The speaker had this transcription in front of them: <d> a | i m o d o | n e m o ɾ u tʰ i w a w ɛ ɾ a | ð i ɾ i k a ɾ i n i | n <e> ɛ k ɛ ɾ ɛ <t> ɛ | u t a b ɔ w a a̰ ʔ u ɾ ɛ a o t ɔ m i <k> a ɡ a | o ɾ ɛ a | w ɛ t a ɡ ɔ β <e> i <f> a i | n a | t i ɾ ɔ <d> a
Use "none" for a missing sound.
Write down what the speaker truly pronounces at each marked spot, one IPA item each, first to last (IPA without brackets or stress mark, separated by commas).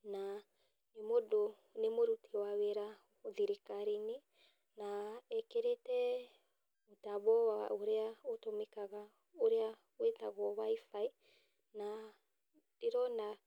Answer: n, a, t, k, a, f, n